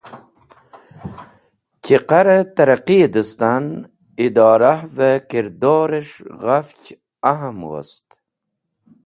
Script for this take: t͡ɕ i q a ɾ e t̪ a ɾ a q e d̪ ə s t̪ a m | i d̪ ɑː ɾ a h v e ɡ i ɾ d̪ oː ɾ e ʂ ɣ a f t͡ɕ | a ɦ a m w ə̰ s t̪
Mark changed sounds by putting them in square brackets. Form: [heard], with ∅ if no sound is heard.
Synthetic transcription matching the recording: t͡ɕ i q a ɾ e t̪ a ɾ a q [i] d̪ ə s t̪ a [n] | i d̪ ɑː ɾ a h v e [k] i ɾ d̪ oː ɾ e ʂ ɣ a f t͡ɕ | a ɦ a m w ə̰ s t̪